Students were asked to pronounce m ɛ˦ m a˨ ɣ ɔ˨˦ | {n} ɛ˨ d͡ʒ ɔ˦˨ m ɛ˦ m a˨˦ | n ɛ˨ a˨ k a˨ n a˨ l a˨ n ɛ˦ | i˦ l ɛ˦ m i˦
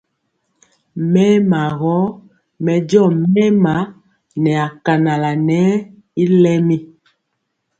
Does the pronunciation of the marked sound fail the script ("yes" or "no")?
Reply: yes